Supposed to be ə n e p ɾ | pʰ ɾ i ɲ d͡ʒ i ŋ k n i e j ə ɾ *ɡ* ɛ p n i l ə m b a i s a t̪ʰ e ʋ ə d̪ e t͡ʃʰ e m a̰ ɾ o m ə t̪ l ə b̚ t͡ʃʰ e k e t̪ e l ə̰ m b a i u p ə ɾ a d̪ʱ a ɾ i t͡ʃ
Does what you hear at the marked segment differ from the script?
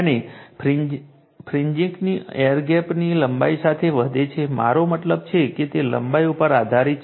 no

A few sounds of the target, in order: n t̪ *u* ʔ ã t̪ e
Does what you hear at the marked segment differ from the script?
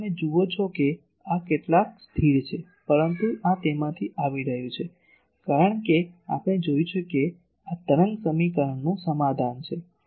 no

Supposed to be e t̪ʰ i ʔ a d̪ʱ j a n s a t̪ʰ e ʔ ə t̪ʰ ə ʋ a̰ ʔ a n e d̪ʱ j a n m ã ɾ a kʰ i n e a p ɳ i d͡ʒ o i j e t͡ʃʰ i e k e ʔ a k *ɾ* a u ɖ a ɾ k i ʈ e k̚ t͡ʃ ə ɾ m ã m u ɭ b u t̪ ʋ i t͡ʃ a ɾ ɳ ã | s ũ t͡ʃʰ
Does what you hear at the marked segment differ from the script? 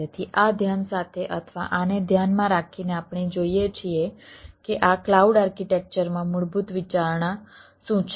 yes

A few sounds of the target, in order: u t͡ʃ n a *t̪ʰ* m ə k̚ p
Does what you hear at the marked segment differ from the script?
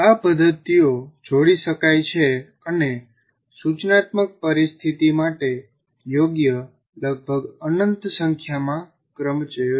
yes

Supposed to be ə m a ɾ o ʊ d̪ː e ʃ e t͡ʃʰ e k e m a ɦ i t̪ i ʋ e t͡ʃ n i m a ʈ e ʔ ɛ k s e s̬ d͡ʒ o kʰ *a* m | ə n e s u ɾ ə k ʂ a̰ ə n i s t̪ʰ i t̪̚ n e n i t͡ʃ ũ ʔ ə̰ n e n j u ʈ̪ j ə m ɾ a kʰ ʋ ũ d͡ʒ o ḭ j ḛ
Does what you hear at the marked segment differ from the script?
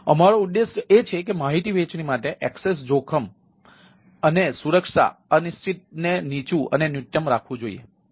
yes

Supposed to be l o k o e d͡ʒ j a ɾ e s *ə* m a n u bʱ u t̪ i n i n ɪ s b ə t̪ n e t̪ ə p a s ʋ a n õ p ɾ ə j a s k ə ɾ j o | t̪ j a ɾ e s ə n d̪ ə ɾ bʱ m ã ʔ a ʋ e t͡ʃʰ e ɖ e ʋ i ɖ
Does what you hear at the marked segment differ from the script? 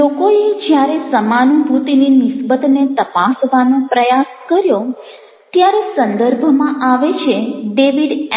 no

